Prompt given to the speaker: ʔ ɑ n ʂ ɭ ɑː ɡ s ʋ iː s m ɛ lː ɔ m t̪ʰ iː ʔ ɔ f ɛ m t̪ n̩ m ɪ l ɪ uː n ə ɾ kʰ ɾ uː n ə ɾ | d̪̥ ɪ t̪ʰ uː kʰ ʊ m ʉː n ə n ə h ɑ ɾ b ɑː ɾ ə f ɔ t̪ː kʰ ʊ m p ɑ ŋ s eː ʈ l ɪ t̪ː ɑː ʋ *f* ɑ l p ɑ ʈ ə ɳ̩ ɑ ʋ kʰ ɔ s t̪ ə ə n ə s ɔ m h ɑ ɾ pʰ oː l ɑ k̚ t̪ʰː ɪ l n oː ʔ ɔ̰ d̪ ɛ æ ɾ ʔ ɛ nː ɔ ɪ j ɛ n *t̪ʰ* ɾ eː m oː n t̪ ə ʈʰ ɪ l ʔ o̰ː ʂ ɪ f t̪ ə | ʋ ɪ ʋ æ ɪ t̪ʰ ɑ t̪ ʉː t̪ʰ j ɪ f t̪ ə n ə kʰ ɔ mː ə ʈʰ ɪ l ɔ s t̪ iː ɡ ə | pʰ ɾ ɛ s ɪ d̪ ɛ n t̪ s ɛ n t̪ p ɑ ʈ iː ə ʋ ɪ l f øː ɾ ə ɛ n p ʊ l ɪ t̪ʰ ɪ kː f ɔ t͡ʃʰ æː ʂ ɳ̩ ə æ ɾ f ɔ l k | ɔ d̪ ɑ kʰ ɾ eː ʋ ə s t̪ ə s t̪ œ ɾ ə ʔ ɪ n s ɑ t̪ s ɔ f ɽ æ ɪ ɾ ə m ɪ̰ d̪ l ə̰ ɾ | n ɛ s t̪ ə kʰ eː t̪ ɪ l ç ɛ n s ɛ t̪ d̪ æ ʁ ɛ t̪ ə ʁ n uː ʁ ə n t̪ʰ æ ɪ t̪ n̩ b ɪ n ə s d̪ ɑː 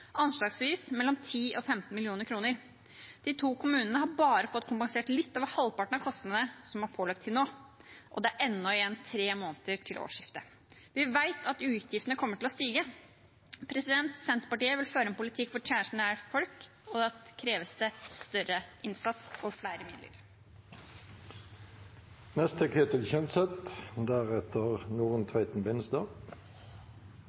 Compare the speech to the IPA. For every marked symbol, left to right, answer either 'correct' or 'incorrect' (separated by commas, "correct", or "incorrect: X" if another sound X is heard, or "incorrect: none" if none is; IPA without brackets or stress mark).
incorrect: h, correct